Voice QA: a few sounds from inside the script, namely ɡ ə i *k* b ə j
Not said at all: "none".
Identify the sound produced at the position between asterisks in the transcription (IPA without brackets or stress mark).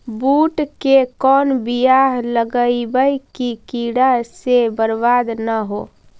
none